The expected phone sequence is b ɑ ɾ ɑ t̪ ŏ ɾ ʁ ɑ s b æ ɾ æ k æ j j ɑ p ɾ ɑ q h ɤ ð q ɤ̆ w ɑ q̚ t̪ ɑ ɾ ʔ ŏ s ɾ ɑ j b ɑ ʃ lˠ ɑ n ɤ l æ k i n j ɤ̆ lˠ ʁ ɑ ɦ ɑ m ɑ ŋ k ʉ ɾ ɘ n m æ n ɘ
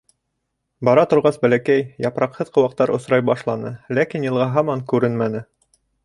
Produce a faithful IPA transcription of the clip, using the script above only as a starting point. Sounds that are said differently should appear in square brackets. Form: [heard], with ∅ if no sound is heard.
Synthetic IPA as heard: b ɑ ɾ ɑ t̪ ŏ ɾ ʁ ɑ s b æ [l] æ k æ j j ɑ p ɾ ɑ q h ɤ ð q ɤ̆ w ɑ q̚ t̪ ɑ ɾ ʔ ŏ s ɾ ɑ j b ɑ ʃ lˠ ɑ n ɤ l æ k i n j ɤ̆ lˠ ʁ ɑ ɦ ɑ m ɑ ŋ k ʉ ɾ ɘ n m æ n ɘ